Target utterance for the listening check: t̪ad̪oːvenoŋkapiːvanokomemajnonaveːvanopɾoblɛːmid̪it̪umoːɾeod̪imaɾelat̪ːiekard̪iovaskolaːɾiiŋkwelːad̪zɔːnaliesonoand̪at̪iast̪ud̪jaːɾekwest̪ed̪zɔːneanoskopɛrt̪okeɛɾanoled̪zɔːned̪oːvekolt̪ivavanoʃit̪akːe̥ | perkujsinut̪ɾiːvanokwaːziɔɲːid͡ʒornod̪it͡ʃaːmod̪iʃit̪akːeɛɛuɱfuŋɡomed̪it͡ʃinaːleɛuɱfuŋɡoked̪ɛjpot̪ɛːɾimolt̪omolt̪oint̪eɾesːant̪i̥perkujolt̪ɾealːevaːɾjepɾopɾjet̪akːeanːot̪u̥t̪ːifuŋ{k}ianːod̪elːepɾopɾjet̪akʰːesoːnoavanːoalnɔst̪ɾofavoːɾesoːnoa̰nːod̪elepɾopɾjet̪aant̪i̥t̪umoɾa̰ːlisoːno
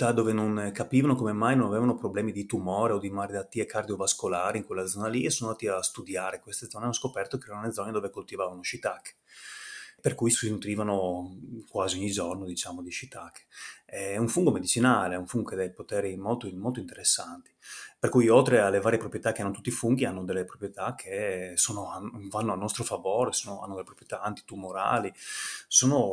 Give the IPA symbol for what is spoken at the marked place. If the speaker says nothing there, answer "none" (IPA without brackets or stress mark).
ɡ